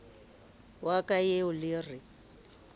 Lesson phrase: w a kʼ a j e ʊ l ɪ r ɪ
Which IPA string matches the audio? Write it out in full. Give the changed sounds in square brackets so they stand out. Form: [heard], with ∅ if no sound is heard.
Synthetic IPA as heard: w a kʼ a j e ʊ l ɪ r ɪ